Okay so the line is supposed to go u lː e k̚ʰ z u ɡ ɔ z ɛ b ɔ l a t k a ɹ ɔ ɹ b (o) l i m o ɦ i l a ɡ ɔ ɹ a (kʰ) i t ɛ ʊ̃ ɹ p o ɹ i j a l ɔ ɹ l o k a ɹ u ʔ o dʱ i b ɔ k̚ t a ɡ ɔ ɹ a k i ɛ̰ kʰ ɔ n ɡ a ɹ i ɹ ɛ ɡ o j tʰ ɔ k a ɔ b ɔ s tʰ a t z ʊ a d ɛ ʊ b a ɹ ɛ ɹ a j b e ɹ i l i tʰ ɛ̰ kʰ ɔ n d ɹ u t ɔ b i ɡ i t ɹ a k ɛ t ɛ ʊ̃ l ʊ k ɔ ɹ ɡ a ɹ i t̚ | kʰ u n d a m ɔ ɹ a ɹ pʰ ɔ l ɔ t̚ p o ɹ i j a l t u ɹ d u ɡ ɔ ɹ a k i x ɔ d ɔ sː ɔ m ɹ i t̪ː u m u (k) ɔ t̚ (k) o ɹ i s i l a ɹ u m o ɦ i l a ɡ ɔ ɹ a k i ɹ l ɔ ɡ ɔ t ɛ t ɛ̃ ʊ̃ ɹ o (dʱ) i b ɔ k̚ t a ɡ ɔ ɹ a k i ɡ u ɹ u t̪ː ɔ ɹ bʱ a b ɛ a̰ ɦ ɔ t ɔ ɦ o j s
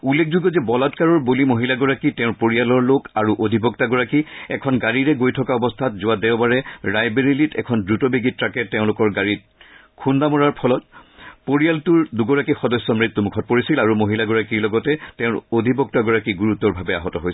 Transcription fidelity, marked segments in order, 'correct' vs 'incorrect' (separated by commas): correct, incorrect, incorrect, incorrect, correct